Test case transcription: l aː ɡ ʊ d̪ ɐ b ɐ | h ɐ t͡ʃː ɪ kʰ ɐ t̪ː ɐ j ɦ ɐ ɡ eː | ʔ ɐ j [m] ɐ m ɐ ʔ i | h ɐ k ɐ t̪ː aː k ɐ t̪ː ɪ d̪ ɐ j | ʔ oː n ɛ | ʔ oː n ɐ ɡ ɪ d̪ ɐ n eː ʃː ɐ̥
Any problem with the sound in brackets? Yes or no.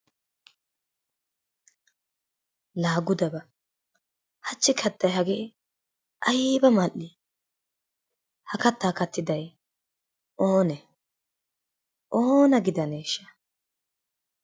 yes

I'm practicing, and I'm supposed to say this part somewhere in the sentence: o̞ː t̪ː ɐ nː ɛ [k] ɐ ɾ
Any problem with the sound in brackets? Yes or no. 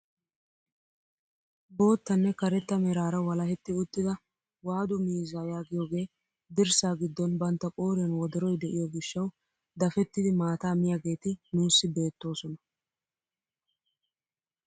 no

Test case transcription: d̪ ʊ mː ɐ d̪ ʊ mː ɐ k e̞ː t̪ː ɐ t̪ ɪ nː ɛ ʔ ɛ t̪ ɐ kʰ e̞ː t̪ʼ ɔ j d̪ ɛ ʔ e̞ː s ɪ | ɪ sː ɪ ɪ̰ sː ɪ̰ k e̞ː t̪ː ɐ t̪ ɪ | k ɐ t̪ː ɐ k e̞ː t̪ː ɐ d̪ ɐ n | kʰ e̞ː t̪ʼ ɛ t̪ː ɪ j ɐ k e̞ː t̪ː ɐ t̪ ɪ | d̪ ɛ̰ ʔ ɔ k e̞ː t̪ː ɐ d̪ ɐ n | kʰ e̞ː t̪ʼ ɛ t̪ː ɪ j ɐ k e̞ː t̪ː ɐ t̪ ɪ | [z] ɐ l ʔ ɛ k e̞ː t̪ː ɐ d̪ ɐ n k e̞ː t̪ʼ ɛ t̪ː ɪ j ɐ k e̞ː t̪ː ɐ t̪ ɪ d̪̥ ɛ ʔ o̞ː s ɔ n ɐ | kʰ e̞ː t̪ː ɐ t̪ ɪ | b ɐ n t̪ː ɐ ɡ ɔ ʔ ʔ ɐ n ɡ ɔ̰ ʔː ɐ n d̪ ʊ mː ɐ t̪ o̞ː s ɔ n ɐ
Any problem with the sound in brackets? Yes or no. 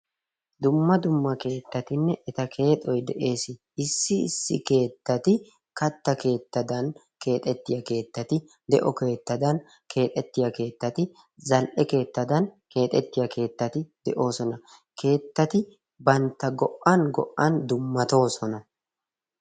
no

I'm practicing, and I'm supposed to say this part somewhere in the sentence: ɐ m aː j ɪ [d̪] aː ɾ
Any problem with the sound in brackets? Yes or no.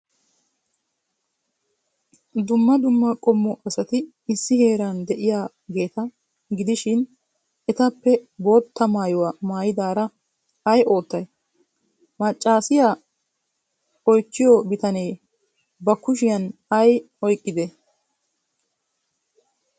no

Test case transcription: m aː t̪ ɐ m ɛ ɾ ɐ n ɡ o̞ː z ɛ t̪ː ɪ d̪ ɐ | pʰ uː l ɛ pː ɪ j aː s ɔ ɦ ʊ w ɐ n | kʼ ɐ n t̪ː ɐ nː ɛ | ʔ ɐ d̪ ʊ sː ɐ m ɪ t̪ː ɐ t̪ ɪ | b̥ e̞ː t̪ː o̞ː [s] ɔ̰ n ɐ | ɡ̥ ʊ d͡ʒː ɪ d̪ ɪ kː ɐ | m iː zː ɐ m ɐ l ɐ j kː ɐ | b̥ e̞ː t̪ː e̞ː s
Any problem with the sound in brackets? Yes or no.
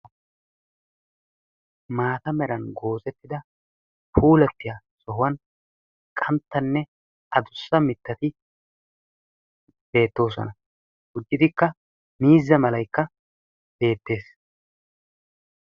no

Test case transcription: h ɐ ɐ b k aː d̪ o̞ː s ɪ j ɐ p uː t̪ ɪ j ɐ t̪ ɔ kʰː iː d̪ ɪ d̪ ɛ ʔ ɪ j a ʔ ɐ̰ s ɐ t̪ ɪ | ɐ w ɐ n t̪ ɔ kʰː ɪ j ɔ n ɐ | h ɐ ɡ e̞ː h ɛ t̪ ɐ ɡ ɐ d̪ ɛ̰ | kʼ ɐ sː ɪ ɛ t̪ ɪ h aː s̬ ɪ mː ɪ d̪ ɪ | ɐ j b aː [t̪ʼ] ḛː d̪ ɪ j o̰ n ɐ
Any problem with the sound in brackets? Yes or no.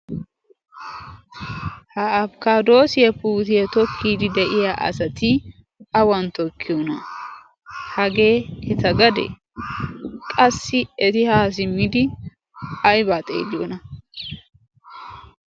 no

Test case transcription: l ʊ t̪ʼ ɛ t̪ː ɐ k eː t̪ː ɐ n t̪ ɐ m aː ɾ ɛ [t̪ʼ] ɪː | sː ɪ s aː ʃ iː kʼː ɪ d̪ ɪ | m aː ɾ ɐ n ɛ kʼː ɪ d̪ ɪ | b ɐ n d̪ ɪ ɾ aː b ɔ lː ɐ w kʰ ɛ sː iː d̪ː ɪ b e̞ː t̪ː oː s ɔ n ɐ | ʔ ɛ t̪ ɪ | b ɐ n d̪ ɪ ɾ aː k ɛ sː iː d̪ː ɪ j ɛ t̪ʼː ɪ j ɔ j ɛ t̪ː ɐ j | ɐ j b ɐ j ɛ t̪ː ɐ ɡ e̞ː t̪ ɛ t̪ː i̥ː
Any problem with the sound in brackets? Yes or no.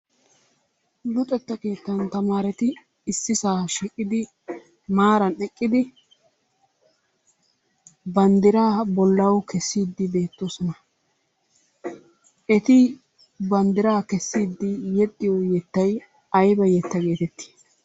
yes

